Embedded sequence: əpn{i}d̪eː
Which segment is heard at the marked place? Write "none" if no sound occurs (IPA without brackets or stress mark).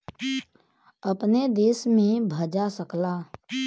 e